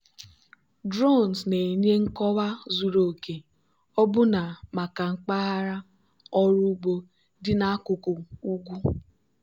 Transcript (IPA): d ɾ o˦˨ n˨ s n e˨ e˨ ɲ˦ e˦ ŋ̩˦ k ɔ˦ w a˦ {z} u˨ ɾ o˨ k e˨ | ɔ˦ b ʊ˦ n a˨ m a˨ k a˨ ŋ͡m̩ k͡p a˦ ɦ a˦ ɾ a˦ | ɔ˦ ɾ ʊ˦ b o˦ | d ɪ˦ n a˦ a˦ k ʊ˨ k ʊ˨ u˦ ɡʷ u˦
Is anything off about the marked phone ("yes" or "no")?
no